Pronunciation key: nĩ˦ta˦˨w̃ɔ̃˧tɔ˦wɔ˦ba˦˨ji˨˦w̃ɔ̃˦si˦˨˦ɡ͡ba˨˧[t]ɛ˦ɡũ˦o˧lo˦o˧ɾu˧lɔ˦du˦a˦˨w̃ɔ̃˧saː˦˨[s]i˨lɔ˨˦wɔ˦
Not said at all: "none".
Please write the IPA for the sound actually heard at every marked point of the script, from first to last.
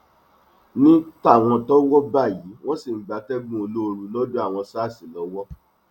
t, s

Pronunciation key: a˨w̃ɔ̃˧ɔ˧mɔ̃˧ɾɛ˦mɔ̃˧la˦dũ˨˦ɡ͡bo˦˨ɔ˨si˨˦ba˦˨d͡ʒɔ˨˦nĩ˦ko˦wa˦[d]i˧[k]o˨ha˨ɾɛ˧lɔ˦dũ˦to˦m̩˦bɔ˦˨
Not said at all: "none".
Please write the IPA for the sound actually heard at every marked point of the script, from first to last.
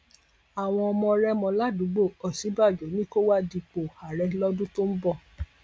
d, k͡p

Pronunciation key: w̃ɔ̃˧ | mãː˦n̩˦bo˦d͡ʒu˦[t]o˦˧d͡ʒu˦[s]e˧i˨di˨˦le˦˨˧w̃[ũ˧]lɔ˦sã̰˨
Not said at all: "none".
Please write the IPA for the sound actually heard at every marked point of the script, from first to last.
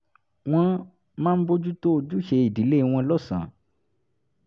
t, ʃ, ɔ̃˧

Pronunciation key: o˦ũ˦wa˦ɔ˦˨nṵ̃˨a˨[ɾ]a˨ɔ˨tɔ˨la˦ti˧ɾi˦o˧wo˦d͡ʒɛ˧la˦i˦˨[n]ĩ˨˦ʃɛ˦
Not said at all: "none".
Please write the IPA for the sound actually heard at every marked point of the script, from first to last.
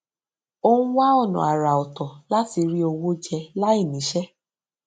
ɾ, n

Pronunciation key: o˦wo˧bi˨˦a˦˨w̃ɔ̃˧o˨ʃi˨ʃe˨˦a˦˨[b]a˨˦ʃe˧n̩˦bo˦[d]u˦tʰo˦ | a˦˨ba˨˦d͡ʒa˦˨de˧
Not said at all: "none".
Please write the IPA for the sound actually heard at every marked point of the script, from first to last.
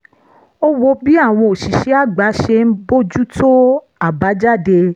ɡ͡b, d͡ʒ

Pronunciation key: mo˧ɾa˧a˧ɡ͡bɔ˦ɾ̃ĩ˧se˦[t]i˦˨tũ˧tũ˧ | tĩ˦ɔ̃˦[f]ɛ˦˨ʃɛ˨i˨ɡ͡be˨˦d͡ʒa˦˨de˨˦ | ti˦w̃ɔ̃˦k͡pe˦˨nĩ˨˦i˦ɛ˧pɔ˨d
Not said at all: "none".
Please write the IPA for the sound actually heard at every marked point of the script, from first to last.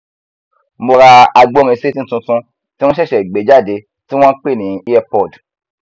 t, ʃ

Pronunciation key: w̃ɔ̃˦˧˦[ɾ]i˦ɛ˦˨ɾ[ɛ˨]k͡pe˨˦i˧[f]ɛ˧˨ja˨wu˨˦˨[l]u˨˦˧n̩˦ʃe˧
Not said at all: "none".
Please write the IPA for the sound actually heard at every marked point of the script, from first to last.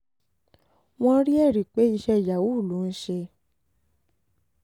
ɾ, i˨, ʃ, l

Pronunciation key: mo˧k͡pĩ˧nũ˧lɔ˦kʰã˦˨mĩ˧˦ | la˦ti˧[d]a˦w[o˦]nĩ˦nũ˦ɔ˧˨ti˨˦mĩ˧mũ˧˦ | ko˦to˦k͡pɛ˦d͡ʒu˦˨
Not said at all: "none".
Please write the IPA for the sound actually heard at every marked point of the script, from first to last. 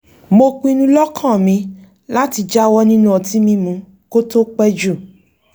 d͡ʒ, ɔ˦

